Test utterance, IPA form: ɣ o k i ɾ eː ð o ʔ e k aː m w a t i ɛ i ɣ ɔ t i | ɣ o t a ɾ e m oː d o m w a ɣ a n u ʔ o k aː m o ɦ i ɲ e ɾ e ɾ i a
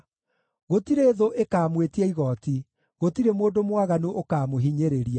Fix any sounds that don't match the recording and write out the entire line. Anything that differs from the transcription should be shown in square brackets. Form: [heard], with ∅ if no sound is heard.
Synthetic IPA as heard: ɣ o [t] i ɾ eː ð o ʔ e k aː m w [e] t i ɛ i ɣ ɔ t i | ɣ o t [i] ɾ e m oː d o m w a ɣ a n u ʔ o k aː m o ɦ i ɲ e ɾ e ɾ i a